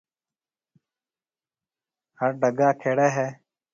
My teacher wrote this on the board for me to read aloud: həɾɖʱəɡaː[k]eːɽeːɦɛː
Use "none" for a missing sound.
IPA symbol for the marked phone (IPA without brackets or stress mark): kʰ